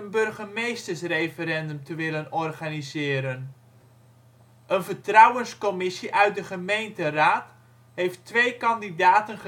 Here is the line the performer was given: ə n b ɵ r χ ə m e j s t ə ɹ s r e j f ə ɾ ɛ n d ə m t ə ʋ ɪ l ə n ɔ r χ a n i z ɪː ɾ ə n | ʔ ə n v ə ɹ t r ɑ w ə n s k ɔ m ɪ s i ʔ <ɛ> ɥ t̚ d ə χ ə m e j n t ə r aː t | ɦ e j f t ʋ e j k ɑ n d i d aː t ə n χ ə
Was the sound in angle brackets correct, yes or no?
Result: no